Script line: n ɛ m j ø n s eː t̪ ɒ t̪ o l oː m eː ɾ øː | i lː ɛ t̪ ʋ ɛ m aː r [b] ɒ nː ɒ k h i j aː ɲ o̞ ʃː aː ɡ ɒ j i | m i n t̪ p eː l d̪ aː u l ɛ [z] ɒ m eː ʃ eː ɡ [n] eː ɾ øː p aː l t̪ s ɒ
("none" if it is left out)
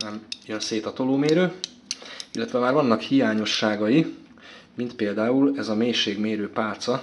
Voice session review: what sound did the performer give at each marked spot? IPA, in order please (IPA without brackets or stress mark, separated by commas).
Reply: v, z, m